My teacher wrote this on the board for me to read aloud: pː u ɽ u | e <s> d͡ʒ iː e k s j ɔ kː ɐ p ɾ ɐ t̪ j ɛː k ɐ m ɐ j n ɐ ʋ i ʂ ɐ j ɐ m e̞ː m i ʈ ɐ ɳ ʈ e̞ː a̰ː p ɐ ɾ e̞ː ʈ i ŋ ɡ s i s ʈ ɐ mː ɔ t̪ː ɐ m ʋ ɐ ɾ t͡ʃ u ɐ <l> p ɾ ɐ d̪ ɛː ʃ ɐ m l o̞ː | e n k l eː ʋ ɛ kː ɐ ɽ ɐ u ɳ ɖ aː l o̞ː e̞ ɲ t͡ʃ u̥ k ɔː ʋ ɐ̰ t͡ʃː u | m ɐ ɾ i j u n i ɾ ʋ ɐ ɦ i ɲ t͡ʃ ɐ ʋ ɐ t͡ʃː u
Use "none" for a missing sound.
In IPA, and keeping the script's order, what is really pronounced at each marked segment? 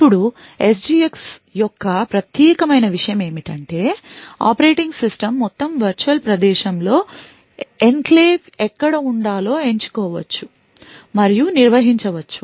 s, l

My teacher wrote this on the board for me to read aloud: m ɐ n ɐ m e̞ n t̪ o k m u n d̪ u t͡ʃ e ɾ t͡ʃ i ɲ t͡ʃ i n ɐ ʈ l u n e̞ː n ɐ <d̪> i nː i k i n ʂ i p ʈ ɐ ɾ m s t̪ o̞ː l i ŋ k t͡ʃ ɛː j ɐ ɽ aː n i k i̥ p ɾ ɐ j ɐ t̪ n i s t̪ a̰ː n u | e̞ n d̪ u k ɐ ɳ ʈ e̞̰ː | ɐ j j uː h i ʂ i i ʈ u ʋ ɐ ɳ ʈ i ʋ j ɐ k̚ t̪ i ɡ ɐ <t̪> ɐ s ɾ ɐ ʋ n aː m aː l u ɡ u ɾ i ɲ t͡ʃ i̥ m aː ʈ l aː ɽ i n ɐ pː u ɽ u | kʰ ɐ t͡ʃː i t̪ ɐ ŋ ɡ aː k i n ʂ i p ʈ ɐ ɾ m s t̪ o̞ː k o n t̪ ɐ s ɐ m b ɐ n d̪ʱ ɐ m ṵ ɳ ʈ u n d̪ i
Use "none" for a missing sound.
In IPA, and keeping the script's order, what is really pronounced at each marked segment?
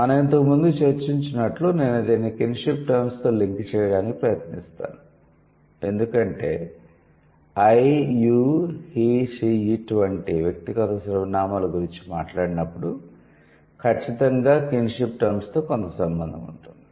d̪, t̪

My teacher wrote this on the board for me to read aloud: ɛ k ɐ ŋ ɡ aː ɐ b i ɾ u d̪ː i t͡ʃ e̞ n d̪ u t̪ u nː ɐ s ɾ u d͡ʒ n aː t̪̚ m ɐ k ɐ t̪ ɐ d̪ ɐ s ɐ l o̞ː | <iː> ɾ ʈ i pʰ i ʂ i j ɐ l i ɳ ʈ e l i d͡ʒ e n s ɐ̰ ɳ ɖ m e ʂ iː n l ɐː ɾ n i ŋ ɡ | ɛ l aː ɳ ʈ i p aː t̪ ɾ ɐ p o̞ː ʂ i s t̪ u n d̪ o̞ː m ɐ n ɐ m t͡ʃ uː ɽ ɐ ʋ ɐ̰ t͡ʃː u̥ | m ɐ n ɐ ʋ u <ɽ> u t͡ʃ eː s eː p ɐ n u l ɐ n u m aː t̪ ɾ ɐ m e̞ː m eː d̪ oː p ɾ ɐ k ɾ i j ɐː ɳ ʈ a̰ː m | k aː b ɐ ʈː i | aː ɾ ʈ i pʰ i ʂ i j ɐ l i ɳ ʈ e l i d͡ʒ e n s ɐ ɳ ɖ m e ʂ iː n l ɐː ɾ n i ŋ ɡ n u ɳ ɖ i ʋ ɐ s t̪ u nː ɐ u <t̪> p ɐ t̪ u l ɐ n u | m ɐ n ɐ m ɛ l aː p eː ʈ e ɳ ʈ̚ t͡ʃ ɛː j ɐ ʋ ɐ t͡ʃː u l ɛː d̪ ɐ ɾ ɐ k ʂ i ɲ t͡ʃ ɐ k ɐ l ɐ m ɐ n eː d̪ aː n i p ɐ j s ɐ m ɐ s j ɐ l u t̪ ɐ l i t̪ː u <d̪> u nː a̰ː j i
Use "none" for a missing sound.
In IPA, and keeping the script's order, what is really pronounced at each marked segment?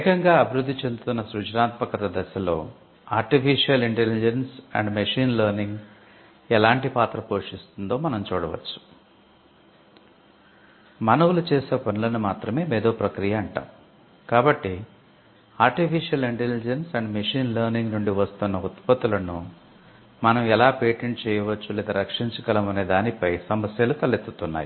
aː, l, t̪, t̪

